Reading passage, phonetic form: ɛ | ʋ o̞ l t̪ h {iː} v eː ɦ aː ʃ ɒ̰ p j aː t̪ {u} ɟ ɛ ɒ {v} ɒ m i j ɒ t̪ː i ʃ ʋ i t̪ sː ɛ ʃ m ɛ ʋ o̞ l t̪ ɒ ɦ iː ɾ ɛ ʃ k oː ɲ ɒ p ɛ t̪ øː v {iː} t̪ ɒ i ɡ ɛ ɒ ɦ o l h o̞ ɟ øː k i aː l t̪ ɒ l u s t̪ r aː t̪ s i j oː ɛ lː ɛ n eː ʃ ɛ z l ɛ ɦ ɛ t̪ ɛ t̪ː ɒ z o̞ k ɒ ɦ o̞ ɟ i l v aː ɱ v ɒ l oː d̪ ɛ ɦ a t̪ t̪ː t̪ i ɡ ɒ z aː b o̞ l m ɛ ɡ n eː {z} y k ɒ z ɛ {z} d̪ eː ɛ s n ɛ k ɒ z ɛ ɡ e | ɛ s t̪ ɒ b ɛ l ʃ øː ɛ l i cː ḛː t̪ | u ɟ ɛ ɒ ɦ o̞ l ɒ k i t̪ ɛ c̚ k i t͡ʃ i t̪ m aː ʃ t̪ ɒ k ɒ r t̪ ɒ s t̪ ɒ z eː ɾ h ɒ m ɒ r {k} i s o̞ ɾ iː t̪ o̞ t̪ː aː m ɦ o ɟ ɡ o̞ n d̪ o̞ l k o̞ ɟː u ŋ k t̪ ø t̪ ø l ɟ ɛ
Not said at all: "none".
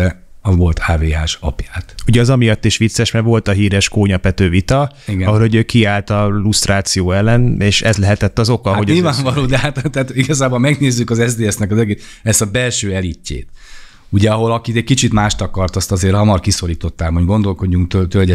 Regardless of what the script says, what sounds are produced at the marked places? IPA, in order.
aː, u, z, i, zː, z, k

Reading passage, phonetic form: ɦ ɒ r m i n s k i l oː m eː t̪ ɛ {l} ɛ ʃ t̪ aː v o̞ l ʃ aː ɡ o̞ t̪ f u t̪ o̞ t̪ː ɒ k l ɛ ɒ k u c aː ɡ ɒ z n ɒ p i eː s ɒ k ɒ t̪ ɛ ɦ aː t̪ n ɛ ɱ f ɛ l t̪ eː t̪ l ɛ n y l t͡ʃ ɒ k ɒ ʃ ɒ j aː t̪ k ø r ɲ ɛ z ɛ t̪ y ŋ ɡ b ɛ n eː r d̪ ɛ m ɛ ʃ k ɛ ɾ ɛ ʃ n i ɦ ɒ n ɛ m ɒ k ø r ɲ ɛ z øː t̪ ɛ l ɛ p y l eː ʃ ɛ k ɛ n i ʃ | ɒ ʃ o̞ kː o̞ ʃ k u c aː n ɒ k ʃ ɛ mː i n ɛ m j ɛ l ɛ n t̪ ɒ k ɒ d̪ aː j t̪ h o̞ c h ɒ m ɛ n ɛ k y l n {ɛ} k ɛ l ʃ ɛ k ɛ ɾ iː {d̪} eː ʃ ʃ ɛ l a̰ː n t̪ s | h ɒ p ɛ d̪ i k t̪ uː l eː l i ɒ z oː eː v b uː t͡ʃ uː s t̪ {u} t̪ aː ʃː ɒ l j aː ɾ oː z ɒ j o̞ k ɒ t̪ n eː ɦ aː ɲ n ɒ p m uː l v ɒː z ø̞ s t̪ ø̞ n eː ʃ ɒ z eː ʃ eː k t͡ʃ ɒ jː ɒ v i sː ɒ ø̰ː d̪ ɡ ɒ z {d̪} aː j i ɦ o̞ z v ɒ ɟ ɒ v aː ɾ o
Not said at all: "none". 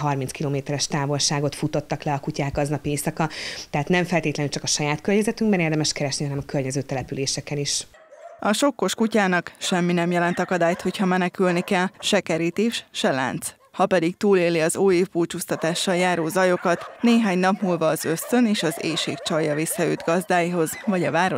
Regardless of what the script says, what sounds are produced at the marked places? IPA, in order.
ɾ, i, t̪, ɒ, d̪

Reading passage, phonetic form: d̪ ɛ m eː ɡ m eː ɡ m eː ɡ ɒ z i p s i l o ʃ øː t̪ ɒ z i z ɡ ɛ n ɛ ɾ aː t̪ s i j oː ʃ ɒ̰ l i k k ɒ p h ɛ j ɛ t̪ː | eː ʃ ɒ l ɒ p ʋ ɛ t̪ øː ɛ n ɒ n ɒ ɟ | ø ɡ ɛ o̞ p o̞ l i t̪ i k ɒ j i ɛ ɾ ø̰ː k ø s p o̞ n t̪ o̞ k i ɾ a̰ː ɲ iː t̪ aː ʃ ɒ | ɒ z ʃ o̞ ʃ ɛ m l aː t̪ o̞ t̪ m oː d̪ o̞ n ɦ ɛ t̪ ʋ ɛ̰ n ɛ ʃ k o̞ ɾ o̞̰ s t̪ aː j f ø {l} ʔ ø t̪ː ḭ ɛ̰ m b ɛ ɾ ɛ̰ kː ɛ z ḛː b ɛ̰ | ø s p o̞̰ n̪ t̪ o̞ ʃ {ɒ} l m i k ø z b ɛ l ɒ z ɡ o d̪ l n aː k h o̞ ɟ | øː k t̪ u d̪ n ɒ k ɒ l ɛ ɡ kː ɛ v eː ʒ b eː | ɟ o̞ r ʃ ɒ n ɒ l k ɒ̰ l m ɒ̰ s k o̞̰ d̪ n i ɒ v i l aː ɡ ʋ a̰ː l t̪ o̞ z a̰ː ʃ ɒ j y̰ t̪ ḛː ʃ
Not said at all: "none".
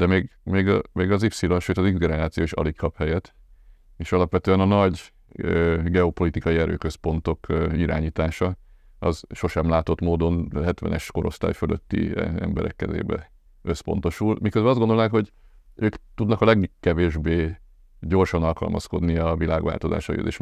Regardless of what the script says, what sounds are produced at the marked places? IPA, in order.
l, u

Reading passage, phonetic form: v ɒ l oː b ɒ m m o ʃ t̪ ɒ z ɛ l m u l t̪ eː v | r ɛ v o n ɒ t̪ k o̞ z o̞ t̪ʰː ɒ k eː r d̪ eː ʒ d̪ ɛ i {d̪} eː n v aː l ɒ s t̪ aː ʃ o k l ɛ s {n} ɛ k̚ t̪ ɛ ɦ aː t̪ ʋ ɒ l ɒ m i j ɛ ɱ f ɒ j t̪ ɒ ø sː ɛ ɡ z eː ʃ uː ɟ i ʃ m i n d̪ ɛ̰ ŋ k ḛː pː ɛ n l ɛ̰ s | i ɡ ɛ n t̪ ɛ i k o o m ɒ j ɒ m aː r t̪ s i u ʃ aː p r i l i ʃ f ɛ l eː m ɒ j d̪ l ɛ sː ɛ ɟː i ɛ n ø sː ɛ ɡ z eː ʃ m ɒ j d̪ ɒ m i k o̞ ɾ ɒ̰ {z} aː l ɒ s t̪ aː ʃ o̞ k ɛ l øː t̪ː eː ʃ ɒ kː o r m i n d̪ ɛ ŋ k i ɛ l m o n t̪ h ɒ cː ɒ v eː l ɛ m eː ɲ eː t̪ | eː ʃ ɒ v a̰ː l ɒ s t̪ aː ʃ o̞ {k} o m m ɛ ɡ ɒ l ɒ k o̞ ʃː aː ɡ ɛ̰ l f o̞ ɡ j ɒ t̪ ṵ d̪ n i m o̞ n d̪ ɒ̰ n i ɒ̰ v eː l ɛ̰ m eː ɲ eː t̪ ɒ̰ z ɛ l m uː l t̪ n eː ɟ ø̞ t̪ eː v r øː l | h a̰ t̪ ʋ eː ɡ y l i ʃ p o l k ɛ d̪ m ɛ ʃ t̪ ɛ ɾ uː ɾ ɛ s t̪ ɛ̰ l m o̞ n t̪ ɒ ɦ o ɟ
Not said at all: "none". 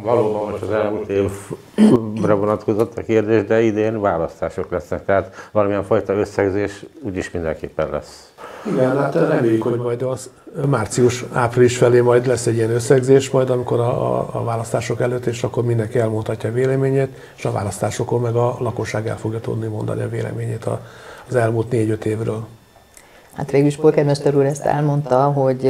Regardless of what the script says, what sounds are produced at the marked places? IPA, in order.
d̪, n, v, k

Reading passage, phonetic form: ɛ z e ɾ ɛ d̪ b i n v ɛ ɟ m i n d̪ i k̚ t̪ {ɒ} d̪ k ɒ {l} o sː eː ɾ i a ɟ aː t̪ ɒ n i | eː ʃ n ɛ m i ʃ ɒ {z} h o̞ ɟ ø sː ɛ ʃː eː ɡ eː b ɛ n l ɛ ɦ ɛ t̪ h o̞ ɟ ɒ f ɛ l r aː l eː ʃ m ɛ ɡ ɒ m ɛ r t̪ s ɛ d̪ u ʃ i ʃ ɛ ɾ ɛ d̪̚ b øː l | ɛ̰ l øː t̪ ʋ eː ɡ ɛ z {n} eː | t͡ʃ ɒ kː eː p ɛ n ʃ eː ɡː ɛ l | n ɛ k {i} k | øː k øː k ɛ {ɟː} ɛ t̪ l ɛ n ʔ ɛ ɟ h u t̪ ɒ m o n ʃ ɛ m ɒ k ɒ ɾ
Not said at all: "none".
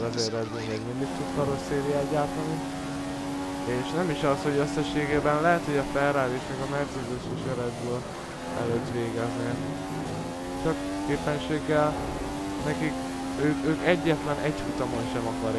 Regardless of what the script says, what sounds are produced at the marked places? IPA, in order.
u, ɾ, s, n, i, ɟː

